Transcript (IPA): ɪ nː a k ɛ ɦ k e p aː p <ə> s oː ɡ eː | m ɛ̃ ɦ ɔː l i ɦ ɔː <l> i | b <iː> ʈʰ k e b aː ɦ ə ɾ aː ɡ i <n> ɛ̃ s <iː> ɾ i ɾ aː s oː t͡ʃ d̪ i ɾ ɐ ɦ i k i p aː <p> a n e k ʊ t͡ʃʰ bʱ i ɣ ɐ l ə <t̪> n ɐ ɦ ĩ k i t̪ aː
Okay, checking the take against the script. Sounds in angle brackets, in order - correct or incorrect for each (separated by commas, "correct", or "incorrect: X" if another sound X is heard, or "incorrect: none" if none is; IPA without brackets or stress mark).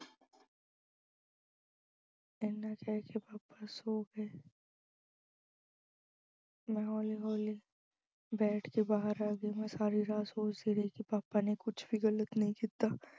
incorrect: a, correct, incorrect: ɛː, incorrect: m, incorrect: aː, correct, correct